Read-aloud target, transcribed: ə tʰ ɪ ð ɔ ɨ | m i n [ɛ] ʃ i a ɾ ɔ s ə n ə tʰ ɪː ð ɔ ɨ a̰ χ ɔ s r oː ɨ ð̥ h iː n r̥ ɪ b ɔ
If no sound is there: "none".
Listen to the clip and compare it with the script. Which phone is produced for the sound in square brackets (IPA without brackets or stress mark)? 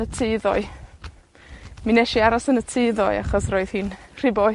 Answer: ɛ